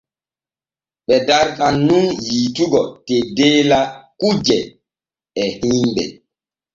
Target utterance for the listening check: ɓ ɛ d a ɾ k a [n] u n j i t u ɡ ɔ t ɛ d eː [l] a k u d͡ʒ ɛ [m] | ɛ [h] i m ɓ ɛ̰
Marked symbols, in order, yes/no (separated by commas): no, yes, no, yes